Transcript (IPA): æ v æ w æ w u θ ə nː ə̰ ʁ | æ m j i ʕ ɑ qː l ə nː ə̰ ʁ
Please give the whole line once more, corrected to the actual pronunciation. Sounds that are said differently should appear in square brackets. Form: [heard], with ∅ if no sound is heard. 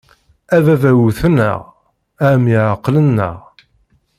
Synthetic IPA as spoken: æ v æ [v] æ w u θ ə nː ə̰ ʁ | æ m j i ʕ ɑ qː l ə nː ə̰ ʁ